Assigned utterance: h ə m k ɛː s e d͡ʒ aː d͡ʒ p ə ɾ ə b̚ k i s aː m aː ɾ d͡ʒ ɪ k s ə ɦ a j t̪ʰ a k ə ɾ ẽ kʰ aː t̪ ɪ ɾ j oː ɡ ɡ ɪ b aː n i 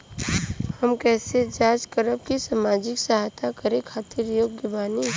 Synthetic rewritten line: h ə m k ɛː s e d͡ʒ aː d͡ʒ k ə ɾ ə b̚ k i s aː m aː d͡ʒ ɪ k s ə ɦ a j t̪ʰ a k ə ɾ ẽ kʰ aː t̪ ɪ ɾ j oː ɡ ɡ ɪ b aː n i